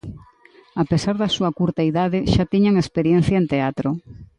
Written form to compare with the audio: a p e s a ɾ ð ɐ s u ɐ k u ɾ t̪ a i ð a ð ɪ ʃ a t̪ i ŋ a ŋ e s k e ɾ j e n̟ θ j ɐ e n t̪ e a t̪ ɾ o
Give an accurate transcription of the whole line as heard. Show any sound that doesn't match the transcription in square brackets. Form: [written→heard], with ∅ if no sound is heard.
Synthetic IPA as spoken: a p e s a ɾ ð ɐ s u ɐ k u ɾ t̪ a i ð a ð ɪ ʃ a t̪ i [ŋ→ɲ] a ŋ e s [k→p] e ɾ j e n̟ θ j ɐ e n t̪ e a t̪ ɾ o